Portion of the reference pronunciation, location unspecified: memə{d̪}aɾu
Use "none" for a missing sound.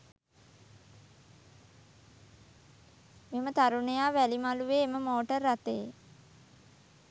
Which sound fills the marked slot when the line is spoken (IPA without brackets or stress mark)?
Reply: t̪